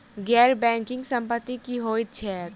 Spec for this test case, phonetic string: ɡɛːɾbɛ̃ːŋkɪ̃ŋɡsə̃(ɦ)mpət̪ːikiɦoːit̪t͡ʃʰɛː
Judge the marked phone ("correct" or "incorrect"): incorrect